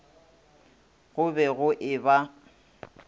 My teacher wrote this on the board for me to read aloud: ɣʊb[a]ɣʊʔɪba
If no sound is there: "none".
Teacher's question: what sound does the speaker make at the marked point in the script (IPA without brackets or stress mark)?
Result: ɛ